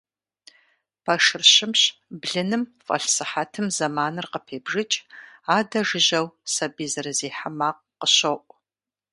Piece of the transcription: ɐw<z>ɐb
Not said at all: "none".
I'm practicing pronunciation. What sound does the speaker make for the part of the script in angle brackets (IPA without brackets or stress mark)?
s